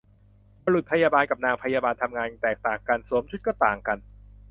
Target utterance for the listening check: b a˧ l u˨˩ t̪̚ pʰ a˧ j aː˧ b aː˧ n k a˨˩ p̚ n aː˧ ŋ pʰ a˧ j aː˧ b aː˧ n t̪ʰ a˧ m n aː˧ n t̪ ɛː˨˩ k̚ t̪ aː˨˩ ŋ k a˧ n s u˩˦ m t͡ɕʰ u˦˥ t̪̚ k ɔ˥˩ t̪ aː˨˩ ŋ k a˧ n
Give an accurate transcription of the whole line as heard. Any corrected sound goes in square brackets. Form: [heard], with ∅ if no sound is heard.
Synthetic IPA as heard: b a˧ l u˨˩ t̪̚ pʰ a˧ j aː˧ b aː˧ n k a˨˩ p̚ n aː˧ ŋ pʰ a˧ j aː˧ b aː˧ n t̪ʰ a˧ m [ŋ] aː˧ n t̪ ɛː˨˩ k̚ t̪ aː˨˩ ŋ k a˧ n s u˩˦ m t͡ɕʰ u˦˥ t̪̚ k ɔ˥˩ t̪ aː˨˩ ŋ k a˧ n